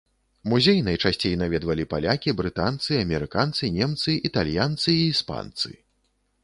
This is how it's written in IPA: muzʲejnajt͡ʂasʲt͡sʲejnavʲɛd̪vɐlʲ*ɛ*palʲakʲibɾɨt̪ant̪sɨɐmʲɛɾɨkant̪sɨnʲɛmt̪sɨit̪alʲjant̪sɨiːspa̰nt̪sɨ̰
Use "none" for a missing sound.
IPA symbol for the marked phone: i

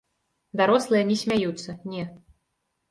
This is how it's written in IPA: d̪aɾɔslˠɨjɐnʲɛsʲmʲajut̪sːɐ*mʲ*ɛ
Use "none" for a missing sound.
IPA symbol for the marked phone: nʲ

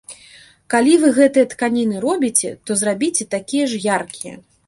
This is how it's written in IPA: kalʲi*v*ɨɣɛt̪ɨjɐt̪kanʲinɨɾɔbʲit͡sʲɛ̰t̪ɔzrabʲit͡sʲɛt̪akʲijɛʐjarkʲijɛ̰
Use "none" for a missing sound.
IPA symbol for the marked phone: v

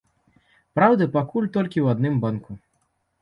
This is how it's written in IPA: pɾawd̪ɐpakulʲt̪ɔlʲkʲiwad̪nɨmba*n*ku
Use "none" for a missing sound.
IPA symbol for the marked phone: n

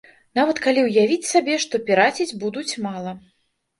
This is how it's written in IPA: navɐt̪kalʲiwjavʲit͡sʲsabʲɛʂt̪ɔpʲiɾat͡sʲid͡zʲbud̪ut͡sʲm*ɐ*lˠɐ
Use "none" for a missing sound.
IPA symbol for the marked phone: a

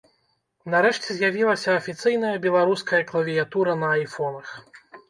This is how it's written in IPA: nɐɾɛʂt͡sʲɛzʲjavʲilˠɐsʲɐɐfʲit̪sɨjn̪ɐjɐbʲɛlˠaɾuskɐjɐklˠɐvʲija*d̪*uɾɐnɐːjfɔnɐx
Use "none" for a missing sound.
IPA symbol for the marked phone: t̪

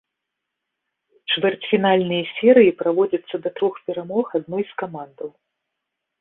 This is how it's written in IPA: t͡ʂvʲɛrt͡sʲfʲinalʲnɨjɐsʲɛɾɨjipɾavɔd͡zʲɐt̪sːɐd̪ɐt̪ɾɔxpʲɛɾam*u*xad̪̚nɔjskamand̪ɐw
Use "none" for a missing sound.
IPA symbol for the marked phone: ɔ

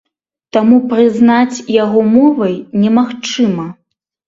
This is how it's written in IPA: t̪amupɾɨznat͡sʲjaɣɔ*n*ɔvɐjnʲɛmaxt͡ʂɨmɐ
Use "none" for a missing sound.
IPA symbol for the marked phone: m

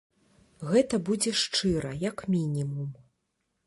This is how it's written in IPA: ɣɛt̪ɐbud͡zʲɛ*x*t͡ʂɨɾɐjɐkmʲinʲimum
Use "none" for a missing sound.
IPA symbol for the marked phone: ʂ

